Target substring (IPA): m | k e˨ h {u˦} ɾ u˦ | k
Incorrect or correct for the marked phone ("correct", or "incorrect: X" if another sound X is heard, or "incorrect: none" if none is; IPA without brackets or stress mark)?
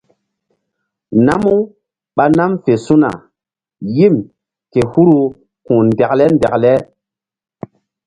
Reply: correct